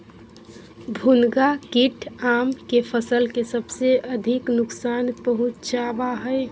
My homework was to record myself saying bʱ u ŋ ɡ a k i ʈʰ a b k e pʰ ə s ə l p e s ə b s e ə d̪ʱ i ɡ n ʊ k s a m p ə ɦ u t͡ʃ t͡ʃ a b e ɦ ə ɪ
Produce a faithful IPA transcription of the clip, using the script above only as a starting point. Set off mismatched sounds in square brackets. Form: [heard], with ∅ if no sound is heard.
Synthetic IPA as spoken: bʱ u [n] ɡ a k i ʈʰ a [m] k e pʰ ə s ə l [k] e s ə b s e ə d̪ʱ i [k] n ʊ k s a [n] p ə ɦ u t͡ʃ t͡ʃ a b [a] ɦ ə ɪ